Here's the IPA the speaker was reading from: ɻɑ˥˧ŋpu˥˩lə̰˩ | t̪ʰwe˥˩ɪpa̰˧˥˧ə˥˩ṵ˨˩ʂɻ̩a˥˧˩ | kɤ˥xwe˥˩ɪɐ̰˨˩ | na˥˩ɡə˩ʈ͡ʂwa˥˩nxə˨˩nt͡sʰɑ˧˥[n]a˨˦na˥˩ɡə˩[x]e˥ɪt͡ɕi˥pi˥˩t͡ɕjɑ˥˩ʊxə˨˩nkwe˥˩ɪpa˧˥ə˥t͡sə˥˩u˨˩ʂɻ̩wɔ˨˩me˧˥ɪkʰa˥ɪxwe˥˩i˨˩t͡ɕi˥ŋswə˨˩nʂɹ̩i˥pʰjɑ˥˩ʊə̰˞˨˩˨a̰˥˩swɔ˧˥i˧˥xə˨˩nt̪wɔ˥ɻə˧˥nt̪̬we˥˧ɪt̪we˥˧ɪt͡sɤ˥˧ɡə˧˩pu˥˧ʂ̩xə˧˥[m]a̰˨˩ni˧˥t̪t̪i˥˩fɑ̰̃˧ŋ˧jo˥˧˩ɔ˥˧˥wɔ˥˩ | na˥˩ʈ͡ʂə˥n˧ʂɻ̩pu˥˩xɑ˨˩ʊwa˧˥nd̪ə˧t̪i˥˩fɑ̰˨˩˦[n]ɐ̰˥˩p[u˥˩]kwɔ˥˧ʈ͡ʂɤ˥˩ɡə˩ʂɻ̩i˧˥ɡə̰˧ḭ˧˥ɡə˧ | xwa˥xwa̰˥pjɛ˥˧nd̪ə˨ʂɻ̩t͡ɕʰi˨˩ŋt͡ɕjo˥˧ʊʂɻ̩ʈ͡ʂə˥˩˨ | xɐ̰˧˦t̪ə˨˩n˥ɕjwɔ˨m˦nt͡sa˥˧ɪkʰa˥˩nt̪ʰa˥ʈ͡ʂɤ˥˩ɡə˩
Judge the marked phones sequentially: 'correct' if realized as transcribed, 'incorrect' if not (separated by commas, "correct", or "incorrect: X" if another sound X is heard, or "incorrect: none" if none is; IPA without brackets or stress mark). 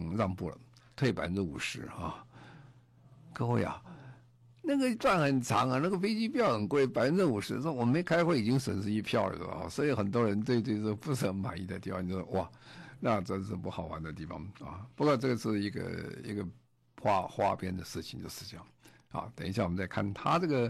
incorrect: ŋ, incorrect: f, correct, incorrect: ŋ, incorrect: u˧˥